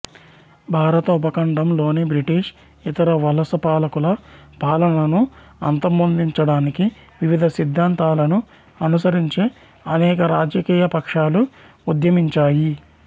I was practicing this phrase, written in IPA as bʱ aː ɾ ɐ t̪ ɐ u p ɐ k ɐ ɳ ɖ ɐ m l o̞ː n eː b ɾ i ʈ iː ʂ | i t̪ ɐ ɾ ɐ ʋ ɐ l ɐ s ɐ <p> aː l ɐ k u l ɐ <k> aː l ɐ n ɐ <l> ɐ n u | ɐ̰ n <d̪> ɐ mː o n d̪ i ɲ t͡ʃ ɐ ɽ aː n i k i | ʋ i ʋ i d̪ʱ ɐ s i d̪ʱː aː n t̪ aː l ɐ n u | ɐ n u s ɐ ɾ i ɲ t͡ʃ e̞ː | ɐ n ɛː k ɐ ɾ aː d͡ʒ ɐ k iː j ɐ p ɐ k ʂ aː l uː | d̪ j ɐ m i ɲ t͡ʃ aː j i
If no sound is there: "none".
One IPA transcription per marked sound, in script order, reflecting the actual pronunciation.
p, p, l, t̪

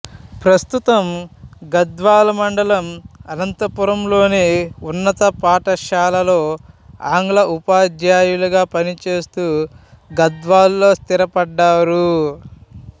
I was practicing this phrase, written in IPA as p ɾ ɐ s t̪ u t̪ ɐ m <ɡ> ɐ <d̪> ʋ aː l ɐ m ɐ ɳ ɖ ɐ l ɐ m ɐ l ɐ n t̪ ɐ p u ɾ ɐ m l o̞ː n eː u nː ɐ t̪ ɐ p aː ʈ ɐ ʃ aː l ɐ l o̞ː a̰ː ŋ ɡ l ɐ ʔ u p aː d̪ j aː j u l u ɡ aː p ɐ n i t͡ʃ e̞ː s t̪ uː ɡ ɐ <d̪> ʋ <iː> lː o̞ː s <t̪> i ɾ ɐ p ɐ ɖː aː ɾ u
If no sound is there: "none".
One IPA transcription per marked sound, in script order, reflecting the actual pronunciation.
ɡ, d̪, d̪, aː, t̪

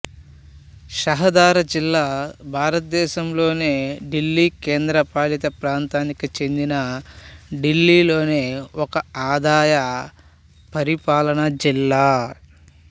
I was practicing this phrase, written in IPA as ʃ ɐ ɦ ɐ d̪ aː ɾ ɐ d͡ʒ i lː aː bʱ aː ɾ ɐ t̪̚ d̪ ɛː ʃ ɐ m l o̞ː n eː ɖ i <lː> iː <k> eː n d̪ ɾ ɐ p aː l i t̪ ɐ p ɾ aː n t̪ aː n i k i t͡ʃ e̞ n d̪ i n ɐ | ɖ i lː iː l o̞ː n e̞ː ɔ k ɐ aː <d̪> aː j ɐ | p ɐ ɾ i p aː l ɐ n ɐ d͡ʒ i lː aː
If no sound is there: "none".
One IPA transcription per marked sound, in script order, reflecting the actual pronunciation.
lː, k, d̪

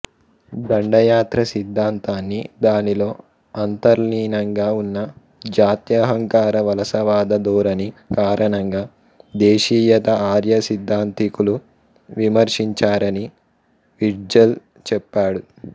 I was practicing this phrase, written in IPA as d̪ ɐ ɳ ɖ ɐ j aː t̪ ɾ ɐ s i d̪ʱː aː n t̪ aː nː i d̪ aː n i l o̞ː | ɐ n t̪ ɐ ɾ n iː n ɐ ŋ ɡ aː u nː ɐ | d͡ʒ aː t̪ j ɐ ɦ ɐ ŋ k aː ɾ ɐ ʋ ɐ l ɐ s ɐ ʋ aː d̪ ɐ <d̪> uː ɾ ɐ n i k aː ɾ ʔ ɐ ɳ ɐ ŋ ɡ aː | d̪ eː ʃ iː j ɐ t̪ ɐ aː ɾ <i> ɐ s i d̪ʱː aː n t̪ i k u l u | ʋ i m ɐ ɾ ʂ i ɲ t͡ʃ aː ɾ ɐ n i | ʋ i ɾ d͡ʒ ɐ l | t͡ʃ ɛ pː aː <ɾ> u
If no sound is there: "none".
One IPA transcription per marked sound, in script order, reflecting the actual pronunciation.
d̪, j, ɽ

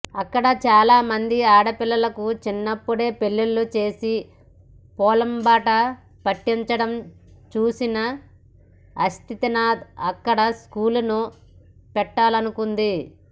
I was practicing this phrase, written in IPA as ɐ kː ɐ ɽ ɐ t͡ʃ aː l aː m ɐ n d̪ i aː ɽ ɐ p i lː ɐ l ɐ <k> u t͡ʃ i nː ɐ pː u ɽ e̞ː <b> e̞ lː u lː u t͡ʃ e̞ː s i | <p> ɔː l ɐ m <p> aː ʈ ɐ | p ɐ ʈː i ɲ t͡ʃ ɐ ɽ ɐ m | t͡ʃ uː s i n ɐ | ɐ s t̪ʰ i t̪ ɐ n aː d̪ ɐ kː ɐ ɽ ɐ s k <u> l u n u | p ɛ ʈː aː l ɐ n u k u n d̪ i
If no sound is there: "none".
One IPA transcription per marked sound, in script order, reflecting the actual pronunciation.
k, p, p, b, uː

